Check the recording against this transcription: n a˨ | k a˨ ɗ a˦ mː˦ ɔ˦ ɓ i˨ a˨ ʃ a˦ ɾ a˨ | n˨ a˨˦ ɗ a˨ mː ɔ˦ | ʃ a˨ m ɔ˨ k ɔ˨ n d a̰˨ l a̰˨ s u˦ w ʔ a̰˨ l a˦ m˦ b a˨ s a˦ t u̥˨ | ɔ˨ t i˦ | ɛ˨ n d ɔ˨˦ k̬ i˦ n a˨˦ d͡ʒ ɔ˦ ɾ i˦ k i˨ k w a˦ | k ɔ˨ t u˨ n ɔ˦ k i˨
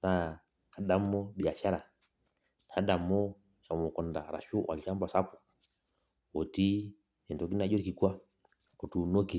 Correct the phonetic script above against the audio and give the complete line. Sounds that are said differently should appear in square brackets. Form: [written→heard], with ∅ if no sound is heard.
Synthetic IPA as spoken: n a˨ | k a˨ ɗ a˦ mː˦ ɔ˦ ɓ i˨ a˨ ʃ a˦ ɾ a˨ | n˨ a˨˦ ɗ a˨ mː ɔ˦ | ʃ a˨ m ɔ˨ k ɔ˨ n d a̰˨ [l→ɾ] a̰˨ [s→ʃ] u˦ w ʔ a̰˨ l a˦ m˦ b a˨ s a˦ [t→p] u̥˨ | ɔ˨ t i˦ | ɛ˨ n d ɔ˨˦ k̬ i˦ n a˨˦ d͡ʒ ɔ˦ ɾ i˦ k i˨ k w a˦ | k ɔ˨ t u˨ n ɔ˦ k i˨